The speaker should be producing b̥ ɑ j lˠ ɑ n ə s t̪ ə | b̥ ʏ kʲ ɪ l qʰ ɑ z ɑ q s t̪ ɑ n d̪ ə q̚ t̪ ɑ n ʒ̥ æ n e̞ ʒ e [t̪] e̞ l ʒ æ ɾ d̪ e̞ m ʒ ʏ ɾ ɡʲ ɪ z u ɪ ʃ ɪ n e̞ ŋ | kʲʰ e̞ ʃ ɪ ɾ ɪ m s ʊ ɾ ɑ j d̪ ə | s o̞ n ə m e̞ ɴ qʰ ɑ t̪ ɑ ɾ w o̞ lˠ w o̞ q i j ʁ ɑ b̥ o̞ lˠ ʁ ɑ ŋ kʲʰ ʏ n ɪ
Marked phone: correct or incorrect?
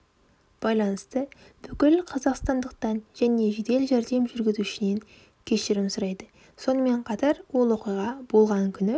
incorrect